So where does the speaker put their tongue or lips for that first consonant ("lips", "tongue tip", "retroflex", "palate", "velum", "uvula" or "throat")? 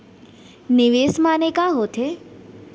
tongue tip